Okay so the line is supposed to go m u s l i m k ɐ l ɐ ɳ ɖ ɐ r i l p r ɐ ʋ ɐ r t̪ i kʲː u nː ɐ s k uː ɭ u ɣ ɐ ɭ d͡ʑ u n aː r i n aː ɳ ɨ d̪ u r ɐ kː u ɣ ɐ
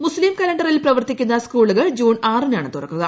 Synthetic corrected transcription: m u s l i m k ɐ l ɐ ɳ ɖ ɐ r i l p r ɐ ʋ ɐ r t̪ i kʲː u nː ɐ s k uː ɭ u ɣ ɐ ɭ d͡ʑ uː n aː r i n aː ɳ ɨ t̪ u r ɐ kː u ɣ ɐ